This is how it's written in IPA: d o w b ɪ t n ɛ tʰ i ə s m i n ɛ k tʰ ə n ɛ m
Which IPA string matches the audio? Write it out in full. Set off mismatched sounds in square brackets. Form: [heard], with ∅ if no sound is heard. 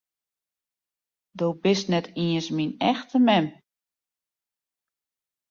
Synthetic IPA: d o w b ɪ [s] n ɛ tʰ i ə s m i n ɛ [x] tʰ ə [m] ɛ m

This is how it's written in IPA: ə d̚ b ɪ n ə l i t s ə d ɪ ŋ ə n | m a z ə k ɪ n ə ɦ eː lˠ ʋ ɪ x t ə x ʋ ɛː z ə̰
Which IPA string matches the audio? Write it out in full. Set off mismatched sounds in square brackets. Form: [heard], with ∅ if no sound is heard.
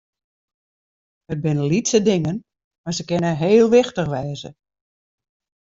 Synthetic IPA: ə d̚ b ɪ n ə l i t s ə d ɪ ŋ ə n | m a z ə k ɪ n ə ɦ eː lˠ ʋ ɪ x t ə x ʋ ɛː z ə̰

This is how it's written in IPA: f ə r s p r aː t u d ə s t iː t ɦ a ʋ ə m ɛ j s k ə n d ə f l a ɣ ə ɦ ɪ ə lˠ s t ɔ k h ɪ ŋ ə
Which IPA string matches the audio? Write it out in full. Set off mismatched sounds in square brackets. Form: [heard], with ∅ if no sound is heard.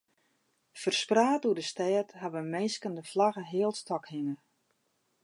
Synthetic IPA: f ə r s p r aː t u d ə s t [ɛː] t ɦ a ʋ ə m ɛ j s k ə n d ə f l a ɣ ə ɦ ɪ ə lˠ s t ɔ k h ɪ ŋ ə

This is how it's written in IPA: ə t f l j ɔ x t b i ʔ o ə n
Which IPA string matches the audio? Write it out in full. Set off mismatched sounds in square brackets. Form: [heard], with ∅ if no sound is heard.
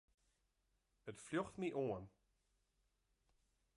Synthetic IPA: ə t f l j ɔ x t [m] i ʔ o ə n

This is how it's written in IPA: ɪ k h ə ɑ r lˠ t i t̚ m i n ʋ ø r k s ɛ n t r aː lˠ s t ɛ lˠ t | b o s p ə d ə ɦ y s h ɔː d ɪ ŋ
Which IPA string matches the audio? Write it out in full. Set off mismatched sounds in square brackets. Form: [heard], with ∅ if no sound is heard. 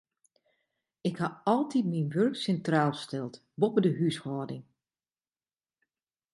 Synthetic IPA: ɪ k h [a] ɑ [∅] lˠ t i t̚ m i n ʋ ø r k s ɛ n t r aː lˠ s t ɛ lˠ t | b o [∅] p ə d ə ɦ y s h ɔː d ɪ ŋ

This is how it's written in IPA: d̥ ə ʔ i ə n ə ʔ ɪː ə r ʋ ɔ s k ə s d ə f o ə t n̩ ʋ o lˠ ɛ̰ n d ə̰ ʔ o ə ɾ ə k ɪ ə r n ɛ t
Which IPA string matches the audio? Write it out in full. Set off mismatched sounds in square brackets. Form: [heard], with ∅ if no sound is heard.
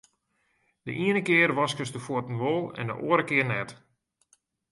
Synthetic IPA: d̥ ə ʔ i ə n ə [k] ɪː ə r ʋ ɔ s k ə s d ə f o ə t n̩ ʋ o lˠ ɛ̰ n d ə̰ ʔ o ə ɾ ə k ɪ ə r n ɛ t

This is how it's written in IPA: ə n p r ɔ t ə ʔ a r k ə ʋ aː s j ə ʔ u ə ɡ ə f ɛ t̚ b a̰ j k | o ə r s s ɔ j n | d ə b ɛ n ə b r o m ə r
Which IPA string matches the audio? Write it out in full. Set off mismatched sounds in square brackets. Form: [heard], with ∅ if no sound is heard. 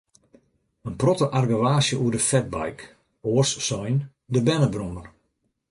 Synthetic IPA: ə n p r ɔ t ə ʔ a r [ɡ] ə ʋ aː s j ə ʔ u ə [d] ə f ɛ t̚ b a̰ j k | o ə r s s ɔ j n | d ə b ɛ n ə b r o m ə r

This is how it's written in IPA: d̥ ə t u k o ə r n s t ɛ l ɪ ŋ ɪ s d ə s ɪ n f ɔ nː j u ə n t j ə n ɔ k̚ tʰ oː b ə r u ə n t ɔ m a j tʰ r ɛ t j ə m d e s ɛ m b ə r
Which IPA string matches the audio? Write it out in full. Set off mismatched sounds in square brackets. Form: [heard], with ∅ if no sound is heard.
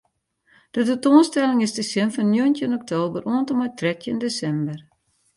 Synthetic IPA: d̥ ə t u [t] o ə [∅] n s t ɛ l ɪ ŋ ɪ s d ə s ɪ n f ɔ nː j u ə n t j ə n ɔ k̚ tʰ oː b ə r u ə n t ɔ m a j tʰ r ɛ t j ə [n] d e s ɛ m b ə r

